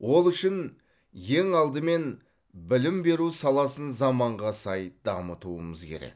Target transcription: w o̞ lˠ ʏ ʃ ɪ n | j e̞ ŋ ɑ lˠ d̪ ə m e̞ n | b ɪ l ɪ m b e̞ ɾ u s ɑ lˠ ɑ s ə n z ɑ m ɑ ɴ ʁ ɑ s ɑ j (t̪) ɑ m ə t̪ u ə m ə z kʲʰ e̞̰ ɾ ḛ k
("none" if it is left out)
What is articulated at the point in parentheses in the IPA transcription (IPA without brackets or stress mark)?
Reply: d̪